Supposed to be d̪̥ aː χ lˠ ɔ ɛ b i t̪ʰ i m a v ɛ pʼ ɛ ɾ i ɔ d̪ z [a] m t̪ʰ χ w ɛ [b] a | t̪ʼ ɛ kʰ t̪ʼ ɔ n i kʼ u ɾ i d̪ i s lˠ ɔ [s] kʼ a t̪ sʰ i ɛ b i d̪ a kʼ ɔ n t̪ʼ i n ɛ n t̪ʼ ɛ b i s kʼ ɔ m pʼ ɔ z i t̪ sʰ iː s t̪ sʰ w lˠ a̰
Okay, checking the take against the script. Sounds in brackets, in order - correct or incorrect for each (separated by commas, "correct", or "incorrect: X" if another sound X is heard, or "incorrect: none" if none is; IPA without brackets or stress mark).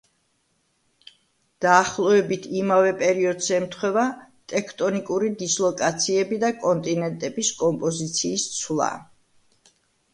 incorrect: ɛ, incorrect: v, incorrect: none